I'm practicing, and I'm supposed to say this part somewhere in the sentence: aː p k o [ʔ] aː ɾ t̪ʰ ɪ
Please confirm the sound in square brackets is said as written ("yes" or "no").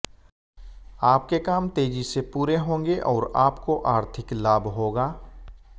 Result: yes